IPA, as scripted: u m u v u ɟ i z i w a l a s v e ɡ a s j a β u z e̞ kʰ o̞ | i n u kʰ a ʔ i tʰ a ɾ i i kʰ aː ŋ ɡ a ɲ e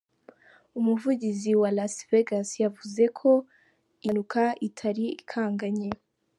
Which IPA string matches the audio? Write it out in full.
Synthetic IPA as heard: u m u v u ɟ i z i w a l a s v e ɡ a s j a v u z e̞ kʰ o̞ | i n u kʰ a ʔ i tʰ a ɾ i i kʰ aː ŋ ɡ a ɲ e